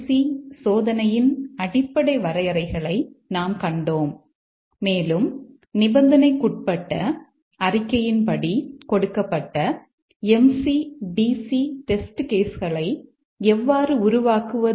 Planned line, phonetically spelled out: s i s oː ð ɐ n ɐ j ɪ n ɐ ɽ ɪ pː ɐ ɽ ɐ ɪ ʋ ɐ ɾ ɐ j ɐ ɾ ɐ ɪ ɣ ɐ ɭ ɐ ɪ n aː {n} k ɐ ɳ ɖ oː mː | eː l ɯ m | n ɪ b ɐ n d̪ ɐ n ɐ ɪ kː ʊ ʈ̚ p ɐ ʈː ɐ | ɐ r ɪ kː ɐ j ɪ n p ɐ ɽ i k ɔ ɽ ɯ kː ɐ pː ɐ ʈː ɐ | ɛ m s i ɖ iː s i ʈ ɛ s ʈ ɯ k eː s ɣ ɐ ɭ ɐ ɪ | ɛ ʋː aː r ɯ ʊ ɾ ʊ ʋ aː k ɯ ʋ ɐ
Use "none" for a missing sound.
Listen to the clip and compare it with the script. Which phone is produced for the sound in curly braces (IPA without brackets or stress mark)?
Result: m